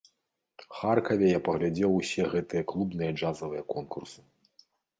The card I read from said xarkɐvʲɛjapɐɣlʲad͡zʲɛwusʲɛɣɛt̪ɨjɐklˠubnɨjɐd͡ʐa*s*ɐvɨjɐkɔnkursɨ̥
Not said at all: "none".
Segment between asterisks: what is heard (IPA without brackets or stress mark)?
z